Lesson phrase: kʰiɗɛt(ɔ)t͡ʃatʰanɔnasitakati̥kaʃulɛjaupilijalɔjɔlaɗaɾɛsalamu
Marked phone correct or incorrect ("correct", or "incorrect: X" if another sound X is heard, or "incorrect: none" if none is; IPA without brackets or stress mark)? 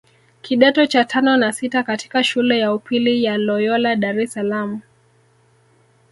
correct